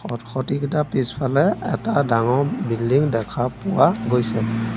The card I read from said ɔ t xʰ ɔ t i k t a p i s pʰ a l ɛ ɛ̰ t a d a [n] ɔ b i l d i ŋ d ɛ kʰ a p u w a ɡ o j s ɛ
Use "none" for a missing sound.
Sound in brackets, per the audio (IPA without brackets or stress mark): ŋ